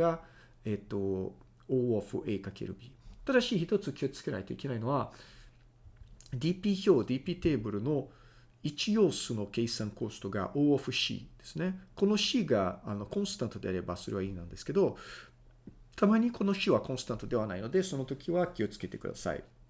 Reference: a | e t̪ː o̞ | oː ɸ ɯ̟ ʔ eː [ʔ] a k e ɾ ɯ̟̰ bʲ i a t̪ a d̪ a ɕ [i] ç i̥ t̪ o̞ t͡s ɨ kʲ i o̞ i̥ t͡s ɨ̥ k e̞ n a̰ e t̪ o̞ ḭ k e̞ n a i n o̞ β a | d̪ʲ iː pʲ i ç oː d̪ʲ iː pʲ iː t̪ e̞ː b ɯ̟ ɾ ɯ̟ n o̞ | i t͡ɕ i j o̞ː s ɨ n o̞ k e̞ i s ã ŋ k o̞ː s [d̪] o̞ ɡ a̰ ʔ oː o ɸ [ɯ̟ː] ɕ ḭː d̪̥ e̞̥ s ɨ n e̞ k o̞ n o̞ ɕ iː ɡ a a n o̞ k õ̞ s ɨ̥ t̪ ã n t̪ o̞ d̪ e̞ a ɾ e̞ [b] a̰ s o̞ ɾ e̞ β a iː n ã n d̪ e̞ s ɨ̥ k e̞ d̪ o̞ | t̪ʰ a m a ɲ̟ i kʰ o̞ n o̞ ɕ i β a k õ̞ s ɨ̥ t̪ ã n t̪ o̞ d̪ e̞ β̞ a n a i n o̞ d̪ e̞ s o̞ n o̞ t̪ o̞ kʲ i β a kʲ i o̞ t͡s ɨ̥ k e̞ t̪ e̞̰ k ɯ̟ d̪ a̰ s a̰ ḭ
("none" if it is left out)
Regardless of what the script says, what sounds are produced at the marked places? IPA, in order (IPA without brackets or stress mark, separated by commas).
k, iː, t̪, ɯ̟, b